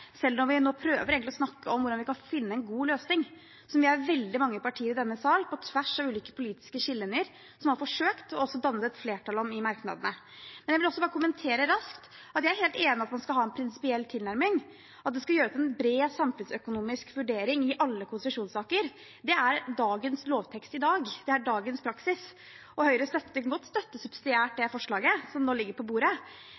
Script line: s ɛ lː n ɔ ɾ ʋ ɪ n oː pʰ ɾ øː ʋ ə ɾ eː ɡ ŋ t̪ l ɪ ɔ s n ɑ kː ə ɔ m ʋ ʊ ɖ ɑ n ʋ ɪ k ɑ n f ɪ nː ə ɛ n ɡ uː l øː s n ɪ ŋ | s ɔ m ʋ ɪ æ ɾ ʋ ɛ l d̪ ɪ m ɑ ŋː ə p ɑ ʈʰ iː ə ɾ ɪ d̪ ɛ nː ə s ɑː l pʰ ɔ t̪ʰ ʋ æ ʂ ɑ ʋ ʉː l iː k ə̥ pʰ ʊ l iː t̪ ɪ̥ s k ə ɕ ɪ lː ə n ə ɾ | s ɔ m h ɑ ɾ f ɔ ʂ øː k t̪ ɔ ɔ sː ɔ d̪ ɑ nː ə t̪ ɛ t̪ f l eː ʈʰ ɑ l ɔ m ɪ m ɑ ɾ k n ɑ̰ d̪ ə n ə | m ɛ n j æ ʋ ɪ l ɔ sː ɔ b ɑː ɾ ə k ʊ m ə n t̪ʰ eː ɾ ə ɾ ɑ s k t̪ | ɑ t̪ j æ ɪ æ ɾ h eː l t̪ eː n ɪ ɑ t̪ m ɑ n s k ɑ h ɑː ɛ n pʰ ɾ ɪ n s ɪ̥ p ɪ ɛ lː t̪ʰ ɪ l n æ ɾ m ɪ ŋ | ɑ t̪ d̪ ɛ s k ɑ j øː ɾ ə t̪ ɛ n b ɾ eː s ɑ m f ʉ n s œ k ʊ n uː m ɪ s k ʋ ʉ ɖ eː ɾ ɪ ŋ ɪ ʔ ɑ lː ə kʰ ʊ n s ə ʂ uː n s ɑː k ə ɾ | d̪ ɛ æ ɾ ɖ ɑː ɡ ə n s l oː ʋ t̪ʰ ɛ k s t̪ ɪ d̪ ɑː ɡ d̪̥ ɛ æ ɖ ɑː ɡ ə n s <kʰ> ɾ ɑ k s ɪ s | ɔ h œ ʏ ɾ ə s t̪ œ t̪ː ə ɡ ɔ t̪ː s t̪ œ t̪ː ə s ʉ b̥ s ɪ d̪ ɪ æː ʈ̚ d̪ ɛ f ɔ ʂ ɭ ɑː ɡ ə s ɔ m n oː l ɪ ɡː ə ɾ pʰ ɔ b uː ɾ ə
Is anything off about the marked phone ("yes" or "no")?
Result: yes